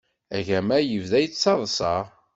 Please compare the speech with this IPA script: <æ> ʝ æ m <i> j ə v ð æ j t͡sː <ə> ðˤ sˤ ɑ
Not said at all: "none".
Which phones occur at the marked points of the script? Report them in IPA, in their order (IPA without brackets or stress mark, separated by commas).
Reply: æ, æ, ɑ